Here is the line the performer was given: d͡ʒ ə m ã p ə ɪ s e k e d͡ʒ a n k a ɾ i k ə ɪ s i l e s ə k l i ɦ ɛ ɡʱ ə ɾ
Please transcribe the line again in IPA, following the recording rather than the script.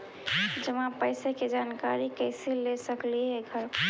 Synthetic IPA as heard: d͡ʒ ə m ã p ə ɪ s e k e d͡ʒ a n k a ɾ i k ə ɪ s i l e s ə k l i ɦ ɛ ɡʱ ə ɾ